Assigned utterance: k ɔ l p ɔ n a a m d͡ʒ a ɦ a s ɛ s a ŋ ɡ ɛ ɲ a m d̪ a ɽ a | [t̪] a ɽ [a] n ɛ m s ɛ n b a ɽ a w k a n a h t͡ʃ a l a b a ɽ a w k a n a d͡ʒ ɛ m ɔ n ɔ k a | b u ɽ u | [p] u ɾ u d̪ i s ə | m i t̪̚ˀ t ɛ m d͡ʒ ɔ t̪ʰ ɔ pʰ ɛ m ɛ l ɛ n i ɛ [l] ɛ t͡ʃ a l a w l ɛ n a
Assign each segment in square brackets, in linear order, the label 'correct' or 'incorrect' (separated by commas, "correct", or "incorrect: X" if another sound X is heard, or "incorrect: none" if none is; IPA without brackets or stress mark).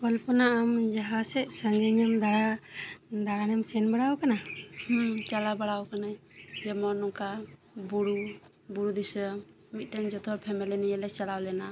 incorrect: d̪, correct, incorrect: b, correct